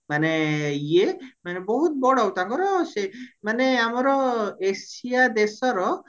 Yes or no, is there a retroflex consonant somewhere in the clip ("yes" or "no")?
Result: yes